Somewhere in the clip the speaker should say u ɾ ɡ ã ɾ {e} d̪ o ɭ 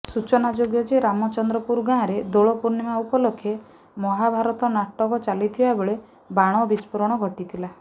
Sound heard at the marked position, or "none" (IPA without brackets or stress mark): e